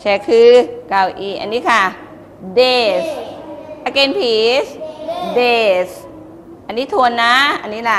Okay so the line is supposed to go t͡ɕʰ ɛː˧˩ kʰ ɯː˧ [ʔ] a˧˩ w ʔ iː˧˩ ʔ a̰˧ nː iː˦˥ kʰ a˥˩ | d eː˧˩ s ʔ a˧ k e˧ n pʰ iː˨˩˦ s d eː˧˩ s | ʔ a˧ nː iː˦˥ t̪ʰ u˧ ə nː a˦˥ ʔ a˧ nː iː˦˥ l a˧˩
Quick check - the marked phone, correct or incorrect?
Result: incorrect